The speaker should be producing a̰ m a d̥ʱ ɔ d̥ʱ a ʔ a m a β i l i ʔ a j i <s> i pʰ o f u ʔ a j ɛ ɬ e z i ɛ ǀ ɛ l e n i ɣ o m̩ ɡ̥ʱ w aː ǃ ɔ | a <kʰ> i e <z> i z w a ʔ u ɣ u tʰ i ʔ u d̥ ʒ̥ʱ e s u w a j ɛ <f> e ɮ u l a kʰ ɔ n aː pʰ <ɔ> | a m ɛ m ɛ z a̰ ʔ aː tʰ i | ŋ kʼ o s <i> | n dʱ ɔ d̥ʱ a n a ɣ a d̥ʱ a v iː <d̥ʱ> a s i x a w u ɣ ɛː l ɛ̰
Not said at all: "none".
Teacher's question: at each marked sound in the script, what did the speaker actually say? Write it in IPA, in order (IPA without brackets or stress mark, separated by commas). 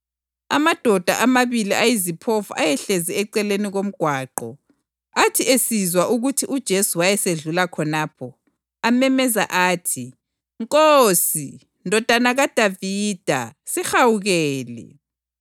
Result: z, tʰ, s, s, ɔ, i, d̥ʱ